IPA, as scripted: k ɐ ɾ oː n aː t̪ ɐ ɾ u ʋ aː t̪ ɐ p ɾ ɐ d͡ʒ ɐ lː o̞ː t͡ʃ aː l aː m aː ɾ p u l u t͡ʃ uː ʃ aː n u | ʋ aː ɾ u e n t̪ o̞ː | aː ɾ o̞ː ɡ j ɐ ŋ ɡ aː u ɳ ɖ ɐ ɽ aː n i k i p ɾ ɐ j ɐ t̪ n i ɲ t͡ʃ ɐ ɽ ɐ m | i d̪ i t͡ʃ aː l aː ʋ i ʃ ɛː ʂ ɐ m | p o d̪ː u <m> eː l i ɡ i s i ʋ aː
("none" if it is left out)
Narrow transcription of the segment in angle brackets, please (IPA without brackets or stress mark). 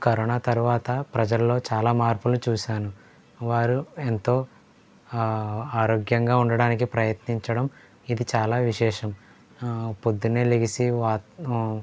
n